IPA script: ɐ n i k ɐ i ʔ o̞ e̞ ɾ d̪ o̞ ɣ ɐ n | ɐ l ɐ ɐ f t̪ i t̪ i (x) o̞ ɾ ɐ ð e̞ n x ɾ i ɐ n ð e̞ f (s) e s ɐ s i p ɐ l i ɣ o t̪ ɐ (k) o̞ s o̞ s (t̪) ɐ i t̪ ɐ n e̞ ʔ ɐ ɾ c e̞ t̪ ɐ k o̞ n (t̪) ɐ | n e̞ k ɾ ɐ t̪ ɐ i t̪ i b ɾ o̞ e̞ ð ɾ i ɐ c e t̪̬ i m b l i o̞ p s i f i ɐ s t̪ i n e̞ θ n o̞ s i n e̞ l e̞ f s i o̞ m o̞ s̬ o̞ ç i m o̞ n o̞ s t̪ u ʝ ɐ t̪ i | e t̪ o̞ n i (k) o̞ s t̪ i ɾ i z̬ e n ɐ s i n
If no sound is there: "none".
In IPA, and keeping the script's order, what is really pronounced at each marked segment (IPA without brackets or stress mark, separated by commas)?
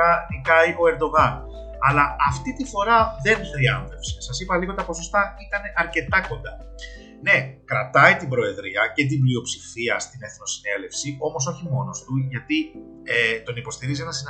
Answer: f, s, p, t̪, d̪, p